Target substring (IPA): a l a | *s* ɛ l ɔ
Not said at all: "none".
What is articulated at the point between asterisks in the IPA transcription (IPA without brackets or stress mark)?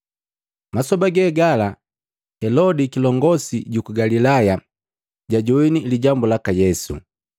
h